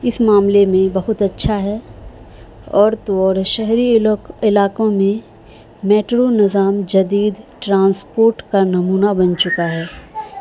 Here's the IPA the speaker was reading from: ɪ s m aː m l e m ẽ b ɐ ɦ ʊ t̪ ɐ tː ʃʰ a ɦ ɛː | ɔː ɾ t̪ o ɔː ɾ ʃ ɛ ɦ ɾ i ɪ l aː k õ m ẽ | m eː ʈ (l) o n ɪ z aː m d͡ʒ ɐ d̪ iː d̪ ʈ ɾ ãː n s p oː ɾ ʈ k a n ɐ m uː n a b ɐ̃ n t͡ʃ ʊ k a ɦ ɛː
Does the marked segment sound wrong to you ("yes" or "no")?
yes